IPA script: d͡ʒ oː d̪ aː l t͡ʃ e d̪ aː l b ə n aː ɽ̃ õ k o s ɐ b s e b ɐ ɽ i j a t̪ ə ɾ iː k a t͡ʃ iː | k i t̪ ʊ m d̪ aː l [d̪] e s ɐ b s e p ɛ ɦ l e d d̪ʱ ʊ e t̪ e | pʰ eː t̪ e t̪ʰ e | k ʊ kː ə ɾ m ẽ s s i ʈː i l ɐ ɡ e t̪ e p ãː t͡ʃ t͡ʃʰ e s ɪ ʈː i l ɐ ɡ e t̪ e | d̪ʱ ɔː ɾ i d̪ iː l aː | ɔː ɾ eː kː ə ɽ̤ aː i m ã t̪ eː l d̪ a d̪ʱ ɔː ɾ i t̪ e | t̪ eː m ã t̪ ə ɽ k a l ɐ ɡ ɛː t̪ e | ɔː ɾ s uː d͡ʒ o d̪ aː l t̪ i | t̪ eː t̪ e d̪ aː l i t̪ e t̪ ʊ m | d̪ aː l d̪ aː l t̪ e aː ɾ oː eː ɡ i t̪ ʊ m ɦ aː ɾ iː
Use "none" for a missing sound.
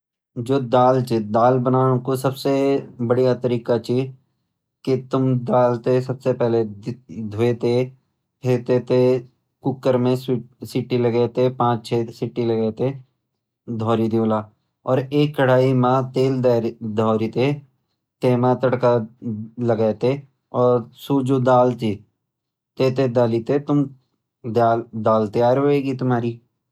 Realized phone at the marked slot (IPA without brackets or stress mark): t̪